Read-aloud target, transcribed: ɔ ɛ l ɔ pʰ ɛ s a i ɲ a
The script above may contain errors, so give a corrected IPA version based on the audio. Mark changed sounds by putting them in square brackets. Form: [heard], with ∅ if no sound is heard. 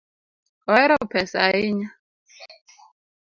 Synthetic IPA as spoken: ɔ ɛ [ɾ] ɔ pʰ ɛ s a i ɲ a